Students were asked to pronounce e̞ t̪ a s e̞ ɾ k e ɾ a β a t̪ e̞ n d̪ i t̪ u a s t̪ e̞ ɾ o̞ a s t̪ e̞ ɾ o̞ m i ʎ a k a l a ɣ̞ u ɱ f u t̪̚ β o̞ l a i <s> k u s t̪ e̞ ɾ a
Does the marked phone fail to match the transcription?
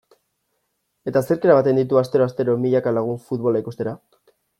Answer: yes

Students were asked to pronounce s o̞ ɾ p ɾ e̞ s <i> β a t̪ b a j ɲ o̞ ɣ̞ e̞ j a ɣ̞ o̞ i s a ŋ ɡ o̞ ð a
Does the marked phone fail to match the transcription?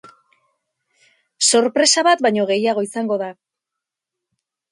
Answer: yes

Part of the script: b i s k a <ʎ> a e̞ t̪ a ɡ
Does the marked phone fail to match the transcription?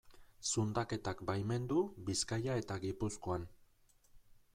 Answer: yes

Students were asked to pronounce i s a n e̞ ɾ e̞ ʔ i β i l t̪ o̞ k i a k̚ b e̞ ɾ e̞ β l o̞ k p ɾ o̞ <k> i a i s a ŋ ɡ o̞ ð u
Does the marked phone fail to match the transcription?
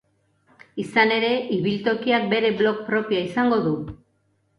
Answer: yes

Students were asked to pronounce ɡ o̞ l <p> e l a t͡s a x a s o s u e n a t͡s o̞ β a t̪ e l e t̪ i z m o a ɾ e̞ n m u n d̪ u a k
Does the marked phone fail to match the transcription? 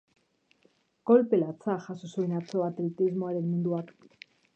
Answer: no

